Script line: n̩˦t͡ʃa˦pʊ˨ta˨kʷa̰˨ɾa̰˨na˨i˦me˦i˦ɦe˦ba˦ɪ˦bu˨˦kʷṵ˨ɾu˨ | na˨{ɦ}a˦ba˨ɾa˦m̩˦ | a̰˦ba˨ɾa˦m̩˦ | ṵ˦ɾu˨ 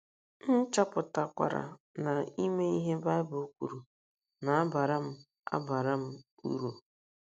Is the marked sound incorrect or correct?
incorrect